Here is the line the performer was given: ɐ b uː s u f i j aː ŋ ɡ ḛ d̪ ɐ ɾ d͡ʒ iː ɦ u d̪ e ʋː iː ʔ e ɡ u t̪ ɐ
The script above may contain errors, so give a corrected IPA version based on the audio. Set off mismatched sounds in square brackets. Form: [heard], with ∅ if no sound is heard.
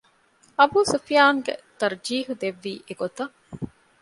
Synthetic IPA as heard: ɐ b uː s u f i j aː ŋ ɡ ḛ [t̪] ɐ ɾ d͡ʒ iː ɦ u d̪ e ʋː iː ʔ e ɡ [o] t̪ ɐ